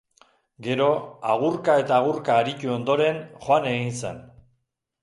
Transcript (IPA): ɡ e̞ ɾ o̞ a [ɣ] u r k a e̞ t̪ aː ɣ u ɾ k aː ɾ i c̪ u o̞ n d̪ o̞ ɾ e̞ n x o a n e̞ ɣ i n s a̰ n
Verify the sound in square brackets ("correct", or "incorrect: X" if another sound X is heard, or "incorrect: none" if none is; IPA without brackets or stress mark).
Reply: correct